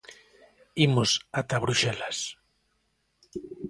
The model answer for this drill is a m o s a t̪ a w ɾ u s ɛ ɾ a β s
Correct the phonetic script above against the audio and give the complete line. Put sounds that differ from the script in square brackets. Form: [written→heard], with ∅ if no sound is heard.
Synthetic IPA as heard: [a→i] m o s a t̪ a [w→β] ɾ u [s→ʃ] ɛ [ɾ→l] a [β→∅] s